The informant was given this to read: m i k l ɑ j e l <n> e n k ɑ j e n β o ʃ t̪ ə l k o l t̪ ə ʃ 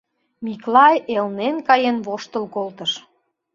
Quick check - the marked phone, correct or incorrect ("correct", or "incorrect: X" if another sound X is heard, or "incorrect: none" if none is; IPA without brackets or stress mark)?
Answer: correct